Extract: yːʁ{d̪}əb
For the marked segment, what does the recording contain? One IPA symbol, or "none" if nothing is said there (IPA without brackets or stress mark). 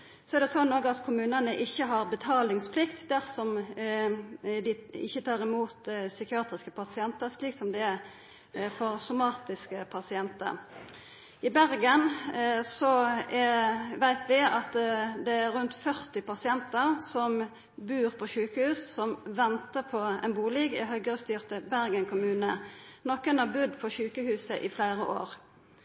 t̪